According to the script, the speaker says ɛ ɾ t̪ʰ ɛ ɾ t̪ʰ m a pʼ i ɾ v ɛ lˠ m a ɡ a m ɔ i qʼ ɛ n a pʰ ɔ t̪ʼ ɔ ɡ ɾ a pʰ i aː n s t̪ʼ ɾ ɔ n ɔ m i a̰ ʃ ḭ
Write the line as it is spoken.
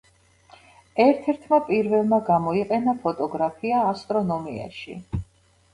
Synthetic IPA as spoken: ɛ ɾ t̪ʰ ɛ ɾ t̪ʰ m a pʼ i ɾ v ɛ lˠ m a ɡ a m ɔ i qʼ ɛ n a pʰ ɔ t̪ʼ ɔ ɡ ɾ a pʰ i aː s t̪ʼ ɾ ɔ n ɔ m i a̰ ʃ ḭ